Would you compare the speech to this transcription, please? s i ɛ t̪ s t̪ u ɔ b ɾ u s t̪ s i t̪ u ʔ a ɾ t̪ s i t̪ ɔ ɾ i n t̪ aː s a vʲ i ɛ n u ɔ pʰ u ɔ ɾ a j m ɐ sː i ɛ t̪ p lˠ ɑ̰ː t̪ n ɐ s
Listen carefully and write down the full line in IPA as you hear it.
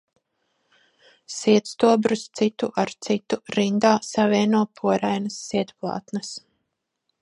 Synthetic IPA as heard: s i ɛ t̪ s t̪ u ɔ b ɾ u s t̪ s i t̪ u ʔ a ɾ t̪ s i t̪ u ɾ i n d̪ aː s a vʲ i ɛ n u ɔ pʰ u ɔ ɾ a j n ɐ sː i ɛ t̪ p lˠ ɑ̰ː t̪ n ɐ s

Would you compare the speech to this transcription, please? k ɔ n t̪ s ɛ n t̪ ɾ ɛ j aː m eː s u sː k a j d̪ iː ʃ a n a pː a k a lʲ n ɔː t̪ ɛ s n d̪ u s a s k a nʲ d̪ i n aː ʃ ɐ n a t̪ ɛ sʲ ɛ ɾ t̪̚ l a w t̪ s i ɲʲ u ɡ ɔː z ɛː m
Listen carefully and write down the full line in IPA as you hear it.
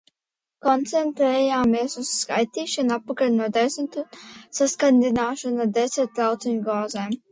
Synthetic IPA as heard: k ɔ n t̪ s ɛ n t̪ ɾ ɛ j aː m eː s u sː k a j t̪ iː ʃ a n a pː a k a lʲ n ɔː d̪ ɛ s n t̪ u s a s k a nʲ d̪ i n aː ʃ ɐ n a d̪ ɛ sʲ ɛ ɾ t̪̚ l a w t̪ s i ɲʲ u ɡ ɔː z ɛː m

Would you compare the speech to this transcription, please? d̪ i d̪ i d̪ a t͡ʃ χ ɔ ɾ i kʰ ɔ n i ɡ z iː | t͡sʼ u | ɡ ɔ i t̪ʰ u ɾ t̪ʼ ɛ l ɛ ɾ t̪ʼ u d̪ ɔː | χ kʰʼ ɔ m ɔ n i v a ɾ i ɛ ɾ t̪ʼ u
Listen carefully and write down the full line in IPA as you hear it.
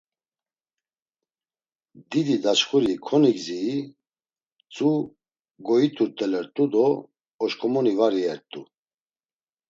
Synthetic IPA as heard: d̪ i d̪ i d̪ a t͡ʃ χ u ɾ i kʰ ɔ n i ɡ z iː | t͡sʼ u | ɡ ɔ i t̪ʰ u ɾ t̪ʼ ɛ l ɛ ɾ t̪ʼ u d̪ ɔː | ʃ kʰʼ ɔ m ɔ n i v a ɾ i ɛ ɾ t̪ʼ u

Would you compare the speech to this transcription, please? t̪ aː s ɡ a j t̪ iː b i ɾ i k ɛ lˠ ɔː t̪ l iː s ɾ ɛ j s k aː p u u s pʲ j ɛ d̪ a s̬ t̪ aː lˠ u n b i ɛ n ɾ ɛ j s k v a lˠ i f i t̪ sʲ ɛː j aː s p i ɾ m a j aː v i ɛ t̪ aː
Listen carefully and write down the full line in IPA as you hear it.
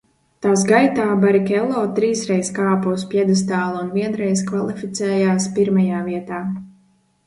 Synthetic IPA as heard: t̪ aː s ɡ a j t̪ aː b a ɾ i k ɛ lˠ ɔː t̪ ɾ iː s ɾ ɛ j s k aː p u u s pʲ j ɛ d̪ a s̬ t̪ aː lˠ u n v i ɛ n ɾ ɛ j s k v a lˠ i f i t̪ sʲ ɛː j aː s p i ɾ m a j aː v i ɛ t̪ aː

